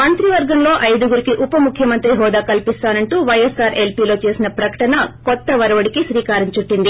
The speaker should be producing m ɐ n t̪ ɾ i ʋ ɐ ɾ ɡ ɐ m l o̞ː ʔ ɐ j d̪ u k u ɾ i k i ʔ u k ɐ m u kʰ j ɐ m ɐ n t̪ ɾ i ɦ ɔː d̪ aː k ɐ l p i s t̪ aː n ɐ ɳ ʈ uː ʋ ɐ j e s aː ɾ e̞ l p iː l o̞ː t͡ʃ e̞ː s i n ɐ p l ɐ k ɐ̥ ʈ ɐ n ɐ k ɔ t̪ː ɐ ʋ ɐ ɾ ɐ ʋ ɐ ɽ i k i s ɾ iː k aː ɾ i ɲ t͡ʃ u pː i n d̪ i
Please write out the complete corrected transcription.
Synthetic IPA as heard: m ɐ n t̪ ɾ i ʋ ɐ ɾ ɡ ɐ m l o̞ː ʔ ɐ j d̪ u ɡ u ɾ i k i ʔ u p ɐ m u kʰ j ɐ m ɐ n t̪ ɾ i ɦ ɔː d̪ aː k ɐ l p i s t̪ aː n ɐ ɳ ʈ uː ʋ ɐ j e s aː ɾ e̞ l p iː l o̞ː t͡ʃ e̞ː s i n ɐ p ɾ ɐ k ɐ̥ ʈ ɐ n ɐ k ɔ t̪ː ɐ ʋ ɐ ɾ ɐ ʋ ɐ ɽ i k i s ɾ iː k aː ɾ i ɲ t͡ʃ u ʈː i n d̪ i

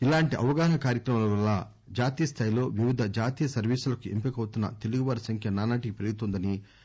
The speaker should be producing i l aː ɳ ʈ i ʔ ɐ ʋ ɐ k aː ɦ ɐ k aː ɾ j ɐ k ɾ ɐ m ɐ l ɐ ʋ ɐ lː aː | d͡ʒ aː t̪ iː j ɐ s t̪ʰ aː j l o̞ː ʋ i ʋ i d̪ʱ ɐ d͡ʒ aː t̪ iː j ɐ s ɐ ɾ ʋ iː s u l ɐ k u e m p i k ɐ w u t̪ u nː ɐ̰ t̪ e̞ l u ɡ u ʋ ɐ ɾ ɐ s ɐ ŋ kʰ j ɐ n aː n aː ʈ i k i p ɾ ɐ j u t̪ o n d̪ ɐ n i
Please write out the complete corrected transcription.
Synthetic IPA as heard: i l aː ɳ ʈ i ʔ ɐ ʋ ɐ ɡ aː ɦ ɐ k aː ɾ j ɐ k ɾ ɐ m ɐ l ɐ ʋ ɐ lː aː | d͡ʒ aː t̪ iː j ɐ s t̪ʰ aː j l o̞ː ʋ i ʋ i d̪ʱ ɐ d͡ʒ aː t̪ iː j ɐ s ɐ ɾ ʋ iː s u l ɐ k u e m p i k ɐ w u t̪ u nː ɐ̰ t̪ e̞ l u ɡ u ʋ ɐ ɾ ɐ s ɐ ŋ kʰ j ɐ n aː n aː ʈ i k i p ɾ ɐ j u t̪ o n d̪ ɐ n i

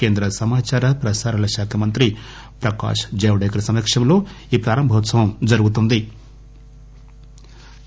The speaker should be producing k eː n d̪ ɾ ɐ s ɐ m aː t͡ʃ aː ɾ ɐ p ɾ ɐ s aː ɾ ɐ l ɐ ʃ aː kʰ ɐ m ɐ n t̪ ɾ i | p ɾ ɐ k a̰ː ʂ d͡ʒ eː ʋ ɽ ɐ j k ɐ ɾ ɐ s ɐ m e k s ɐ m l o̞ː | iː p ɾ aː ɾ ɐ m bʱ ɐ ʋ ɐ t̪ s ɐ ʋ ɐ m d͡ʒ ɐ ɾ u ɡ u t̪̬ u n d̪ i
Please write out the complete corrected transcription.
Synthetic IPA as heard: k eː n d̪ ɾ ɐ s ɐ m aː t͡ʃ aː ɾ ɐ p ɾ ɐ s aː ɾ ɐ l ɐ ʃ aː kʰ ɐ m ɐ n t̪ ɾ i | p ɾ ɐ k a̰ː ʂ d͡ʒ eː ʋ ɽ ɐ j k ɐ ɾ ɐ s ɐ m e k ʂ ɐ m l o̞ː | iː p ɾ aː ɾ ɐ m bʱ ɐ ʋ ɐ t̪ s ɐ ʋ ɐ m d͡ʒ ɐ ɾ u ɡ u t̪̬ u n d̪ i

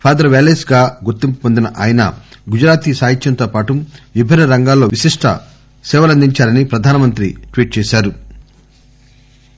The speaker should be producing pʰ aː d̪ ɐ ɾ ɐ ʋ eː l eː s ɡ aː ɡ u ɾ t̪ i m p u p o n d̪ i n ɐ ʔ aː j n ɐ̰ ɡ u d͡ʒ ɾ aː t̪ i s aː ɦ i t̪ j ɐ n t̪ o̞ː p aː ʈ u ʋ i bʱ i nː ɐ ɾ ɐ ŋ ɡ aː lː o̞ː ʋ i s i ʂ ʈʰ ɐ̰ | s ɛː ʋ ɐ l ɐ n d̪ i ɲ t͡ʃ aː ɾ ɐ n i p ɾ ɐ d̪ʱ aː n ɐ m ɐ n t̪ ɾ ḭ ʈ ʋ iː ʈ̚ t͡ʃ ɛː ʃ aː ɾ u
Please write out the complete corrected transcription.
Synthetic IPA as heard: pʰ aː d̪ ɐ ɾ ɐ ʋ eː l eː s ɡ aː ɡ u ɾ t̪ i m p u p o n d̪ i n ɐ ʔ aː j n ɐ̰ ɡ u d͡ʒ ɾ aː t̪ i s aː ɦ i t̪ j ɐ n t̪ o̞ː p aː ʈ u ʋ i bʱ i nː ɐ ɾ ɐ ŋ ɡ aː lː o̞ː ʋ i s i ʂ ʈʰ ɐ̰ | s ɛː ʋ ɐ l ɐ n d̪ i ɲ t͡ʃ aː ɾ ɐ n i p ɾ ɐ d̪ʱ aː n ɐ m ɐ n t̪ ɾ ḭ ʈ ʋ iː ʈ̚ t͡ʃ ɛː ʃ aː ɾ u

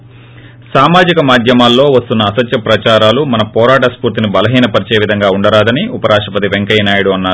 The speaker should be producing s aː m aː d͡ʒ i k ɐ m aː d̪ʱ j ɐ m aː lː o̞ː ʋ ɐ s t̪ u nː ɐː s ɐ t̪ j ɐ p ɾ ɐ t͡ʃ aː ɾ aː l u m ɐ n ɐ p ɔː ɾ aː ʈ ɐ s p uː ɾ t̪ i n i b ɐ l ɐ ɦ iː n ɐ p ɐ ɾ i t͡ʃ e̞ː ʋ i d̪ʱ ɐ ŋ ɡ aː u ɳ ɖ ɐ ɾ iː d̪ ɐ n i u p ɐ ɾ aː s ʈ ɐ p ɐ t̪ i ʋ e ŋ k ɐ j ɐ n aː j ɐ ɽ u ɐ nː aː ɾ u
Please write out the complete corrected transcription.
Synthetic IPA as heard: s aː m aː d͡ʒ i k ɐ m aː d̪ʱ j ɐ m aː lː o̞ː ʋ ɐ s t̪ u nː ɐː s ɐ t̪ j ɐ p ɾ ɐ t͡ʃ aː ɾ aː l u m ɐ n ɐ p ɔː ɾ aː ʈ ɐ s p uː ɾ t̪ i n i b ɐ l ɐ ɦ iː n ɐ p ɐ ɾ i t͡ʃ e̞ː ʋ i d̪ʱ ɐ ŋ ɡ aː u ɳ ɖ ɐ ɾ aː d̪ ɐ n i u p ɐ ɾ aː ʂ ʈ ɐ p ɐ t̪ i ʋ e ŋ k ɐ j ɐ n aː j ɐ ɽ u ɐ nː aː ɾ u

